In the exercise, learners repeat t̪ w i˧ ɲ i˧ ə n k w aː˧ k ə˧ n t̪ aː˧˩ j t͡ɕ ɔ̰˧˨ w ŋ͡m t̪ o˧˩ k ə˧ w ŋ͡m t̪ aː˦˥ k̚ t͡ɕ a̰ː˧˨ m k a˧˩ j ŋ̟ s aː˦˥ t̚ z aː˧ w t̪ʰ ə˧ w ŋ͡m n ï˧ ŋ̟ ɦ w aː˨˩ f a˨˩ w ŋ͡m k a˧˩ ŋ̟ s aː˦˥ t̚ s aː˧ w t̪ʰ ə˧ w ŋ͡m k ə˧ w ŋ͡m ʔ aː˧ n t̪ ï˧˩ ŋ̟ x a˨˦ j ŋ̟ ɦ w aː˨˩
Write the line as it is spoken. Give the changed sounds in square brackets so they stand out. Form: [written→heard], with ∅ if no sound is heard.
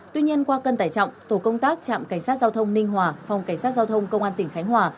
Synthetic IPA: t̪ w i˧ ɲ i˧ ə n k w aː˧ k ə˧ n t̪ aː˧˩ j t͡ɕ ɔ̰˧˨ w ŋ͡m t̪ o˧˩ k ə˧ w ŋ͡m t̪ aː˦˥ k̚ t͡ɕ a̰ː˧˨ m k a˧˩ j ŋ̟ s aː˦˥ t̚ z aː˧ w t̪ʰ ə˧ w ŋ͡m n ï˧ ŋ̟ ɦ w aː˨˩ f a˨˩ w ŋ͡m k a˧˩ ŋ̟ s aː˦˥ t̚ [s→z] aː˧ w t̪ʰ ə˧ w ŋ͡m k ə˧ w ŋ͡m ʔ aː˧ n t̪ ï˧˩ ŋ̟ x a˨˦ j ŋ̟ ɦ w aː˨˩